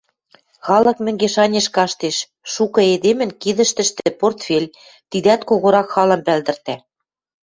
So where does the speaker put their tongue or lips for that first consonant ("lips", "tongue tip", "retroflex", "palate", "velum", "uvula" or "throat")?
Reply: velum